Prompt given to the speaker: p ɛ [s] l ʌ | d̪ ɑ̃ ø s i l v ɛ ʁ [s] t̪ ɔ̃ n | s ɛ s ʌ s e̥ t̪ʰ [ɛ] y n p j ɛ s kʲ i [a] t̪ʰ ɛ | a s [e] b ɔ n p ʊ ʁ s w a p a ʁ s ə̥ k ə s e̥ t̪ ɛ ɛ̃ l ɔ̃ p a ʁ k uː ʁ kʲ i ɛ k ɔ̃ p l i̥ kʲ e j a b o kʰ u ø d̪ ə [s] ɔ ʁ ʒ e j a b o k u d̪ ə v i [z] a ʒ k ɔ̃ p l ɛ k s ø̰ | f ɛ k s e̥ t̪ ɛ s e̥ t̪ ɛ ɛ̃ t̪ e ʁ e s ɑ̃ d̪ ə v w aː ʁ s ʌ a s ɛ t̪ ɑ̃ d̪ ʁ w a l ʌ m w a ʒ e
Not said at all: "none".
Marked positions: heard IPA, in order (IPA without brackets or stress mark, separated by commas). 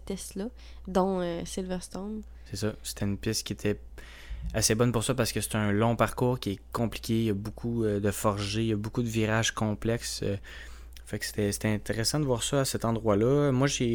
s, s, ɛ, e, e, f, ʁ